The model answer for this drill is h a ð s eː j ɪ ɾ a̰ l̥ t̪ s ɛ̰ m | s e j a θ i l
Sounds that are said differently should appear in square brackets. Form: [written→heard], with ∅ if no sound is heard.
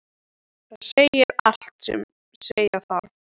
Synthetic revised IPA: [h→θ] a ð s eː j ɪ ɾ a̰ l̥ t̪ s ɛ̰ m | s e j a θ [i→a] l